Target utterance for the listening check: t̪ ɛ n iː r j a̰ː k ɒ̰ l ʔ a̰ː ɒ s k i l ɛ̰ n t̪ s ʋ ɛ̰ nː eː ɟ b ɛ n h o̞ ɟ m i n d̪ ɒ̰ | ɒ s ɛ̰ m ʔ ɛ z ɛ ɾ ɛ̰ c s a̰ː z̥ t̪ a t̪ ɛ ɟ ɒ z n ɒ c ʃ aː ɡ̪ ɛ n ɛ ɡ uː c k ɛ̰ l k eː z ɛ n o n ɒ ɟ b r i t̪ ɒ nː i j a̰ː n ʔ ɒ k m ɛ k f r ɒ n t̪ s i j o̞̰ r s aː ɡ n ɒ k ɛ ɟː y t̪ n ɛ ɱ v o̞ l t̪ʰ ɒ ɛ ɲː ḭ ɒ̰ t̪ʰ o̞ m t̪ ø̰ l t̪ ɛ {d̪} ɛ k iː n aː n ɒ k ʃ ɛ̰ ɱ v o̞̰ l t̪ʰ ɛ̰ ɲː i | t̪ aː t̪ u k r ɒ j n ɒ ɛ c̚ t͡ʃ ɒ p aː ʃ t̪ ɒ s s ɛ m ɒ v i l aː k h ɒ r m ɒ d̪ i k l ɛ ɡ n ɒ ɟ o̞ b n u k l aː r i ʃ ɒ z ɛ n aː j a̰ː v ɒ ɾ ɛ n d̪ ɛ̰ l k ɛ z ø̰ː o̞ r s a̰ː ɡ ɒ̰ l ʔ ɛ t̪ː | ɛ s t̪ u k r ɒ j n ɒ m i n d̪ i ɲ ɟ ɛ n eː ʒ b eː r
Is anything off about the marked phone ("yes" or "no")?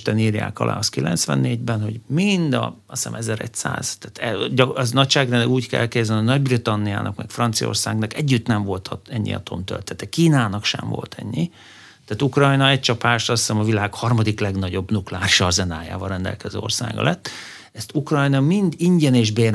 yes